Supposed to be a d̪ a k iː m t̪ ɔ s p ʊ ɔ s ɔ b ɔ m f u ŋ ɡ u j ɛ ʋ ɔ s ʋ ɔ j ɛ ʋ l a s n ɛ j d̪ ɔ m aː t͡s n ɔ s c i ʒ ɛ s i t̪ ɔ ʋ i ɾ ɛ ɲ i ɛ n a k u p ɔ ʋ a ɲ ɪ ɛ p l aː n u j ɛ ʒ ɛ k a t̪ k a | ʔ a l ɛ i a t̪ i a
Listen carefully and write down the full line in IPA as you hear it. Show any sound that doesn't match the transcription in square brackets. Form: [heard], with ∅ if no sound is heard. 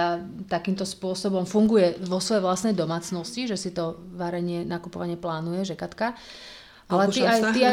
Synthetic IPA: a [t̪] a k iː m t̪ ɔ s p ʊ ɔ s ɔ b ɔ m f u ŋ ɡ u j ɛ ʋ ɔ s ʋ ɔ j ɛ ʋ l a s n ɛ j d̪ ɔ m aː t͡s n ɔ s c i ʒ ɛ s i t̪ ɔ ʋ [a] ɾ ɛ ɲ [ɪ] ɛ n a k u p ɔ ʋ a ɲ ɪ ɛ p l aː n u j ɛ ʒ ɛ k a t̪ k a | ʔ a l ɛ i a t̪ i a